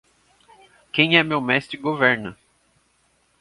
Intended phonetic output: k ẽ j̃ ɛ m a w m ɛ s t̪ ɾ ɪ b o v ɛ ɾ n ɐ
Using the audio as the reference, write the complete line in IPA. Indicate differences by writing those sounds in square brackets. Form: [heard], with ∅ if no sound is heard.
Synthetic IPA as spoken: k ẽ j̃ ɛ m [e] w m ɛ s t̪ ɾ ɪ [ɡ] o v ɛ ɾ n ɐ

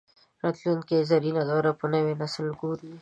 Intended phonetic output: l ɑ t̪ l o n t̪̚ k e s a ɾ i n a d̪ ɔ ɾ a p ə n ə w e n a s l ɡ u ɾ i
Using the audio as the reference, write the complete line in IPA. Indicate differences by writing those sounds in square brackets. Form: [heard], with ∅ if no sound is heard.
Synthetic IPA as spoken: [ɾ] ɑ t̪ l [u] n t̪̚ k e [z] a ɾ i n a d̪ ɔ ɾ a p ə n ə w e n a s l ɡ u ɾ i

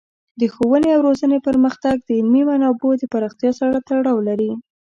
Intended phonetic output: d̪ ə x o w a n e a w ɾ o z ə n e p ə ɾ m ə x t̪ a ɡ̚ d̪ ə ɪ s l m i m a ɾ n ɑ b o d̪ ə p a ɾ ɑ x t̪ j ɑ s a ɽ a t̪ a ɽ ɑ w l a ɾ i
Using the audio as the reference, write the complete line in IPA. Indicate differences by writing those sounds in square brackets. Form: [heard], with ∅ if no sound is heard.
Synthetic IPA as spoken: d̪ ə x o w [ə] n e a w ɾ o z ə n e p ə ɾ m ə x t̪ a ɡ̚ d̪ ə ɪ [∅] l m i m a [∅] n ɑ b o d̪ ə p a ɾ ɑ x t̪ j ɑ s a ɽ a t̪ a ɽ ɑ w l a ɾ i

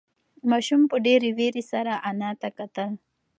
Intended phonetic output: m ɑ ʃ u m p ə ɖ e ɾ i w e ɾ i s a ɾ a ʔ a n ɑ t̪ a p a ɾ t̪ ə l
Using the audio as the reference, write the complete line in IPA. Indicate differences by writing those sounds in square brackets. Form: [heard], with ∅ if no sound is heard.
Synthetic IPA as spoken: m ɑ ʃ u m p ə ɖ e ɾ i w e ɾ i s a ɾ a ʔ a n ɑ t̪ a [k] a [∅] t̪ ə l

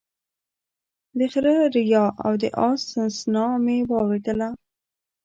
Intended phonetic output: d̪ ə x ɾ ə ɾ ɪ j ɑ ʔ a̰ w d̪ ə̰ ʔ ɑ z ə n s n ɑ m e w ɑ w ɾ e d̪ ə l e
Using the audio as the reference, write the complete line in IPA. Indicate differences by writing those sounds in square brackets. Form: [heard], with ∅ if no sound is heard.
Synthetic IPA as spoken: d̪ ə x ɾ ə ɾ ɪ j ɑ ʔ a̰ w d̪ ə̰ ʔ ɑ [s] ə n s n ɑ m e w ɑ w ɾ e d̪ ə l [a]

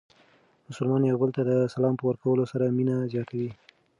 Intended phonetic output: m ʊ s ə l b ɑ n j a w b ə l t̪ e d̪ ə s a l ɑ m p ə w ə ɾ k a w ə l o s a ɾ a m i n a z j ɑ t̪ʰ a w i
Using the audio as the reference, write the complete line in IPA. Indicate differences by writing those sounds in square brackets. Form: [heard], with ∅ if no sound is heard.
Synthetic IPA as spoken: m ʊ s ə l [m] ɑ n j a w b ə l t̪ [a] d̪ ə s a l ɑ m p ə w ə ɾ k a w ə l o s a ɾ a m i n a z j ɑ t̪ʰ a w i

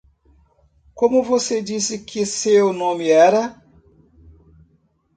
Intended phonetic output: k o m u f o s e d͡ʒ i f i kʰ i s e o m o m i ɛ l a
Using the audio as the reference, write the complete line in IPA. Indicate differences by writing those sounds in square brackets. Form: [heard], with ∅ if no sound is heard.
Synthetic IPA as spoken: k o m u [v] o s e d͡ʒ i [s] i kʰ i s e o [n] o m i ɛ [ɾ] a

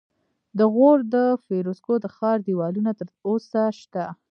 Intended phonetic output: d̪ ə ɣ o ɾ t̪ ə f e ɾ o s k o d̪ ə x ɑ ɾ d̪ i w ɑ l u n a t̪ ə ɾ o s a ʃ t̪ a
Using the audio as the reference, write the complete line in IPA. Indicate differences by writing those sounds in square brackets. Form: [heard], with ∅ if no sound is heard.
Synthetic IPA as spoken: d̪ ə ɣ o ɾ [d̪] ə f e ɾ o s k o d̪ ə x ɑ ɾ d̪ i w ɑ l u n a t̪ ə ɾ o s a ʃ t̪ a

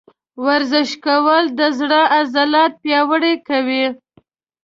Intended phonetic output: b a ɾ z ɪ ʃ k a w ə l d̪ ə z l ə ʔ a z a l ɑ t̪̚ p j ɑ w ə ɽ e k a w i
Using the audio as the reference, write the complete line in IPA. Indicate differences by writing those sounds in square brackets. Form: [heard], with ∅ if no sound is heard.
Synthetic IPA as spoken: [w] a ɾ z ɪ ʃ k a w ə l d̪ ə z [ɽ] ə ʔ a z a l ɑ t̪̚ p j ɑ w ə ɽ e k a w i

